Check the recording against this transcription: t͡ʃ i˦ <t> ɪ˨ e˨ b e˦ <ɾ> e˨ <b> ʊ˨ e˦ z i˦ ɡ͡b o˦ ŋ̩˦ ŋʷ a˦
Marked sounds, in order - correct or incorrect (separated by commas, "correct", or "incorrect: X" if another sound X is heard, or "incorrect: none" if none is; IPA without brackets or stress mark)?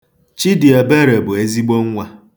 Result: incorrect: d, correct, correct